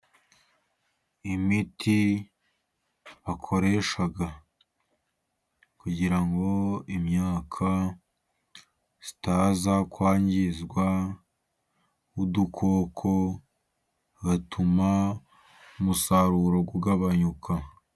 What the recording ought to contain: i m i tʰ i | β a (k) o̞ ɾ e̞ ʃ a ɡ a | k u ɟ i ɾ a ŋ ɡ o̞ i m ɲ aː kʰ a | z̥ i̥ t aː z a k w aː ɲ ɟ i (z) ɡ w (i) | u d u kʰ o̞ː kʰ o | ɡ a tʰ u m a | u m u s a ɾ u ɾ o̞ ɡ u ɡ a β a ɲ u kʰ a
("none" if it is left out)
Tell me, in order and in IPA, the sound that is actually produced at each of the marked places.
kʰ, z, a

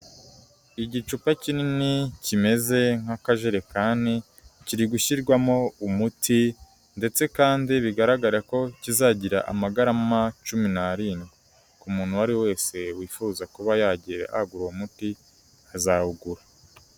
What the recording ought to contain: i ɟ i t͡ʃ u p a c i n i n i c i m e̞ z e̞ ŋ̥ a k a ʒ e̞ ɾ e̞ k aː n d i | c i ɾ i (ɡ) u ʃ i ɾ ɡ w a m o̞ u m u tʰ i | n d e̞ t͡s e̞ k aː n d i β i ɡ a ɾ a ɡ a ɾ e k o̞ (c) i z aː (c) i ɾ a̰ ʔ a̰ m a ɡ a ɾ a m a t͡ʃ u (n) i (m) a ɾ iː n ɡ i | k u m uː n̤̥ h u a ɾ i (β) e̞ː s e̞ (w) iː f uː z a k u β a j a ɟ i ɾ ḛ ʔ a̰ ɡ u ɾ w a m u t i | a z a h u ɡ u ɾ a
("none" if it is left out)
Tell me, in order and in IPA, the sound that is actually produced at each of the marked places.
ɡ, c, ɟ, m, n, w, w

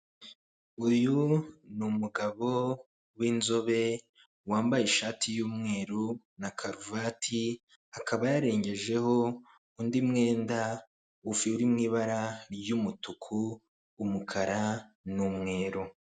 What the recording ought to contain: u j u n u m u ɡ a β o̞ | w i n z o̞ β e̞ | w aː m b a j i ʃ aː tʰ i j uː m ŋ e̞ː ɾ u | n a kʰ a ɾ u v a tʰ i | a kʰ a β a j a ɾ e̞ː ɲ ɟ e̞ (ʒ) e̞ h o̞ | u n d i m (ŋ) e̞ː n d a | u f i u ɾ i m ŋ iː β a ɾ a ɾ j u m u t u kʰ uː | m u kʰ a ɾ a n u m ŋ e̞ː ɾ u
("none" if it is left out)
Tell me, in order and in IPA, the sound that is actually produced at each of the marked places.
ʒ, ŋ

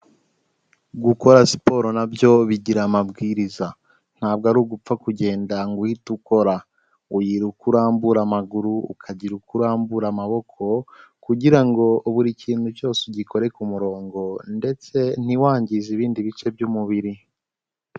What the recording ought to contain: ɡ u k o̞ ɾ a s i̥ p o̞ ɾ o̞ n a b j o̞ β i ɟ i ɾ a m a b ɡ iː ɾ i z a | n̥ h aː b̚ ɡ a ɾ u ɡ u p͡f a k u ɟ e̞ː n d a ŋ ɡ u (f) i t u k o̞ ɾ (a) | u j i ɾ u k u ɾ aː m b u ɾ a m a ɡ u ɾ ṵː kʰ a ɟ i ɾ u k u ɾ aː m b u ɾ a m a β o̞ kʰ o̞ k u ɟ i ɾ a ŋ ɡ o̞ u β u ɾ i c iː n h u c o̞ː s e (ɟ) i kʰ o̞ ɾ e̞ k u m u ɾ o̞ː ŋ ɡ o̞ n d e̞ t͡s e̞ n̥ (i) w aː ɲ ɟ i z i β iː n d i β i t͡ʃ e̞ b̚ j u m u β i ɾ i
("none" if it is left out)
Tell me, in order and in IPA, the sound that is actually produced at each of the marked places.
h, a, ɟ, i

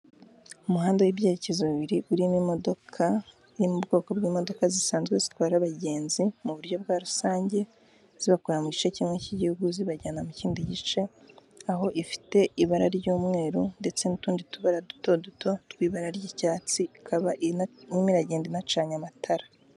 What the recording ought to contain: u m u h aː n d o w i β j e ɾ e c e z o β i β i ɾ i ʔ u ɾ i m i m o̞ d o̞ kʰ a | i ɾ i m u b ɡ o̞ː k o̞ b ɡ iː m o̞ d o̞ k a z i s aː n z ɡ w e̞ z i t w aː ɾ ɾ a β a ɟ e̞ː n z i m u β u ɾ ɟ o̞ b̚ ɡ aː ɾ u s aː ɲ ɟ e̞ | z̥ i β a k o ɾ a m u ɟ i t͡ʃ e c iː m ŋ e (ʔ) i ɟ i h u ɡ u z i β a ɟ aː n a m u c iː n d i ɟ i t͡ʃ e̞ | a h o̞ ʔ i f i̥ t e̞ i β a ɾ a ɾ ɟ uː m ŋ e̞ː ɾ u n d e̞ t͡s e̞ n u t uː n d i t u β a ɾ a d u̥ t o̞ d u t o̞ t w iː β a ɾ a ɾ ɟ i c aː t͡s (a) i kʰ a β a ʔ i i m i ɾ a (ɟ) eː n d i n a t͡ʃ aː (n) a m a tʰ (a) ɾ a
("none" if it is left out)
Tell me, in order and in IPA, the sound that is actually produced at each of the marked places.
c, i, ɟ, ɲ, a

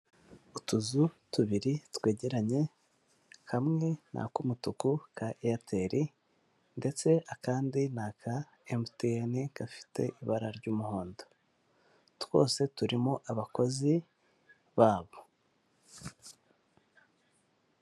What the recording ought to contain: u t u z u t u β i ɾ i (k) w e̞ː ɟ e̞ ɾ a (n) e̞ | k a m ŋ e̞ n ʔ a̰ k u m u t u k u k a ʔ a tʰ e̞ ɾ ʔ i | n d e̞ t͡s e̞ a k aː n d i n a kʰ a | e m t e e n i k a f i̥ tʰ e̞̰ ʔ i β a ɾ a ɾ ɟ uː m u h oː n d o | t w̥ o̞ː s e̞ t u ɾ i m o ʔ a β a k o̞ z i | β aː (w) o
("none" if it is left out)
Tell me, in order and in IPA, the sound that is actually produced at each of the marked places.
t, ɲ, β

